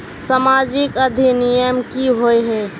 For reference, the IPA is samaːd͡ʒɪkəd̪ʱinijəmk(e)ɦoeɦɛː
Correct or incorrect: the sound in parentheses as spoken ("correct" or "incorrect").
incorrect